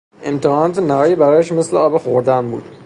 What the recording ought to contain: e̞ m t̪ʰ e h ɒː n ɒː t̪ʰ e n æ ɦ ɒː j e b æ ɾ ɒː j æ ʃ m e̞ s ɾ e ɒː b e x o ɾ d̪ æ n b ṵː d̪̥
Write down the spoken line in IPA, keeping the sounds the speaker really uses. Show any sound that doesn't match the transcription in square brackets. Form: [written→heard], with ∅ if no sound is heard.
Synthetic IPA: e̞ m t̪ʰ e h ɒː n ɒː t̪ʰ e n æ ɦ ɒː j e b æ ɾ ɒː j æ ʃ m e̞ s [ɾ→l] e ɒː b e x o ɾ d̪ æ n b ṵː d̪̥